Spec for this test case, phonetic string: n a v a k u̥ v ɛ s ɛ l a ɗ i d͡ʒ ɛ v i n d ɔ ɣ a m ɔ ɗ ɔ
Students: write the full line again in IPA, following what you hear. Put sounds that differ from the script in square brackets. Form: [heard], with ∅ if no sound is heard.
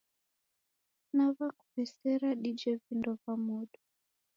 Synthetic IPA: n a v a k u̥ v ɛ s ɛ [ɾ] a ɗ i d͡ʒ ɛ v i n d ɔ [v] a m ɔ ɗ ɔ